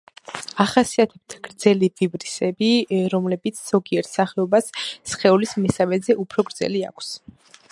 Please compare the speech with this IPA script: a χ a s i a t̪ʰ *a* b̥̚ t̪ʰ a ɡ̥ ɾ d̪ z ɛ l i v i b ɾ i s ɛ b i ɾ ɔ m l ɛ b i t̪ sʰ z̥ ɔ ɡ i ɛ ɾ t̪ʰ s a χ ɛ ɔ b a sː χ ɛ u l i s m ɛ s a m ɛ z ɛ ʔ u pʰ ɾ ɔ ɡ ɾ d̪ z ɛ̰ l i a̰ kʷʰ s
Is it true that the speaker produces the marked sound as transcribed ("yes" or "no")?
no